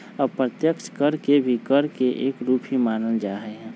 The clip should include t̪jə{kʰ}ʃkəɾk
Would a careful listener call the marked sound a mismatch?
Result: yes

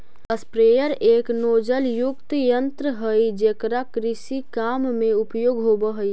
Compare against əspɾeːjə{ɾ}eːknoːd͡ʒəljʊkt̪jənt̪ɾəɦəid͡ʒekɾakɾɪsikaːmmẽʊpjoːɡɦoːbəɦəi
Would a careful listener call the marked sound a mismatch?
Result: no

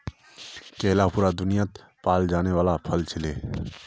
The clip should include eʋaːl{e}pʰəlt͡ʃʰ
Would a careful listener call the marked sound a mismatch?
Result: yes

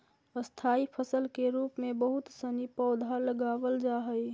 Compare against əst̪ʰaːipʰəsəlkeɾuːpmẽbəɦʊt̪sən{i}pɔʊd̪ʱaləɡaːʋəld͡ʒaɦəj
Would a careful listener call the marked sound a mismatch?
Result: no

